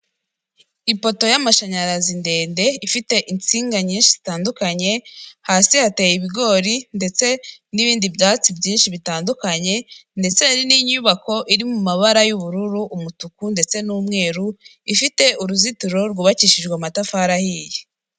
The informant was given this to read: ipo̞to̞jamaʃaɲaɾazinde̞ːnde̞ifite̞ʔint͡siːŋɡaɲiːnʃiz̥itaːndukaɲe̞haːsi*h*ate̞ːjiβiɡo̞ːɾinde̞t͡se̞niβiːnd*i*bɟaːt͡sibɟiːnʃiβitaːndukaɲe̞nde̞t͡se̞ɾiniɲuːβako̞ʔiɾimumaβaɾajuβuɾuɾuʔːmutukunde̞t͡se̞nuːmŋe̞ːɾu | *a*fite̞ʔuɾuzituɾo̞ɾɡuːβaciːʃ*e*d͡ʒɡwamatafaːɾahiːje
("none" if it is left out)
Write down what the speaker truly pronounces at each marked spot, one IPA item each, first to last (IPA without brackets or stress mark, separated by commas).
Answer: h, i, i, i